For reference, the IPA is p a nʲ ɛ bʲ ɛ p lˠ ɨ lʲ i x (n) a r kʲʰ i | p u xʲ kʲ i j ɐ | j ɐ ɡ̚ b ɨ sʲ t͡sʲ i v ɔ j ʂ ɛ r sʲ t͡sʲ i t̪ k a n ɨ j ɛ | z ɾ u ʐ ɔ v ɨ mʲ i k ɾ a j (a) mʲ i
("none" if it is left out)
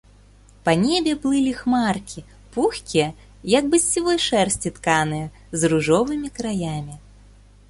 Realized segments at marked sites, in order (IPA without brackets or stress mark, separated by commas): m, a